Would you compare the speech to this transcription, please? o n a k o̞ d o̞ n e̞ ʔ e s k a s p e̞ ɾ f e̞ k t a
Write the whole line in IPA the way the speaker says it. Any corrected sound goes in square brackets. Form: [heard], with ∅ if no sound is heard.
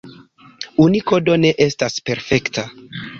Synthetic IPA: [u] n [i] k o̞ d o̞ n e̞ ʔ e s [t] a s p e̞ ɾ f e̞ k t a